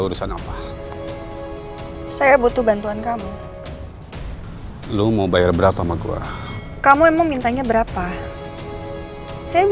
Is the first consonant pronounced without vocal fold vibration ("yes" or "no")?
no